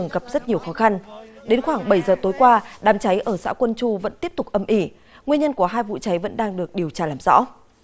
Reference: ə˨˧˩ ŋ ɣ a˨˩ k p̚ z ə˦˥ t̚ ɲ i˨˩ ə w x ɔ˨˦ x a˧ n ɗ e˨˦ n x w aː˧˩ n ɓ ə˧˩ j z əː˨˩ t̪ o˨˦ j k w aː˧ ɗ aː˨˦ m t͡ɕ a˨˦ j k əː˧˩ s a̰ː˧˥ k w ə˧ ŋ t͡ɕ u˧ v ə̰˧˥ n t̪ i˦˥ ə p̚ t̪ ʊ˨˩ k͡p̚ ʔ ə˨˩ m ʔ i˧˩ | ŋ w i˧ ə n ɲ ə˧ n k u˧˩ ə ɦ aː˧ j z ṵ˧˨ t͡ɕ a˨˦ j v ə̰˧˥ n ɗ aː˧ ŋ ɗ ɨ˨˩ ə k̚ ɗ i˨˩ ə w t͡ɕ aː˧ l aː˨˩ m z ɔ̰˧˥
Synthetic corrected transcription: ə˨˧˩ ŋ ɣ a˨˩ p̚ z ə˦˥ t̚ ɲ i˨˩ ə w x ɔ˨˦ x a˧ n ɗ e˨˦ n x w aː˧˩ ŋ ɓ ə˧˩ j z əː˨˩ t̪ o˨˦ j k w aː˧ ɗ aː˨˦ m t͡ɕ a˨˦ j ʔ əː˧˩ s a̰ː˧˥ k w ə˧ n t͡ɕ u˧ v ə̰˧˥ n t̪ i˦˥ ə p̚ t̪ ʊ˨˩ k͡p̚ ʔ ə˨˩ m ʔ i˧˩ | ŋ w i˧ ə n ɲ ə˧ n k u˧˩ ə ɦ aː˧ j v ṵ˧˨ t͡ɕ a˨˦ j v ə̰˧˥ n ɗ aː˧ ŋ ɗ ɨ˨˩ ə k̚ ɗ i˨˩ ə w t͡ɕ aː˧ l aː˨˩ m z ɔ̰˧˥